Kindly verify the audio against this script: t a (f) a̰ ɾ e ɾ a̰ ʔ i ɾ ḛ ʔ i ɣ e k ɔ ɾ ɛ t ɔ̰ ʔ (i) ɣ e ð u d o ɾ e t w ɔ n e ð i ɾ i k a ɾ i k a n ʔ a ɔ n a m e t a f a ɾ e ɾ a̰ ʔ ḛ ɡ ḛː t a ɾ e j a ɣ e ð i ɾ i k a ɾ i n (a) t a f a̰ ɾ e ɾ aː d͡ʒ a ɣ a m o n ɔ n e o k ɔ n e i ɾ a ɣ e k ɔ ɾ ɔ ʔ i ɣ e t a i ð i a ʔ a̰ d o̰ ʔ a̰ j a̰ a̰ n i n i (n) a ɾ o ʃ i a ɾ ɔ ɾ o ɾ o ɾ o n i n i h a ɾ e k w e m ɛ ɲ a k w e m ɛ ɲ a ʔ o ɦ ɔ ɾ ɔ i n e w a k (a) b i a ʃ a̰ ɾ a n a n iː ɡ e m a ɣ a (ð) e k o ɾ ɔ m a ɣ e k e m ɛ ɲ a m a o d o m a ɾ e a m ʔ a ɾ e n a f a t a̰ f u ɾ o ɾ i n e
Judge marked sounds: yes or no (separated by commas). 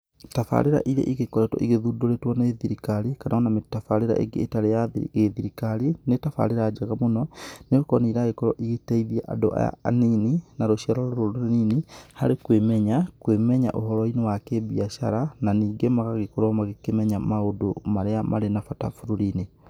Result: yes, yes, no, yes, no, no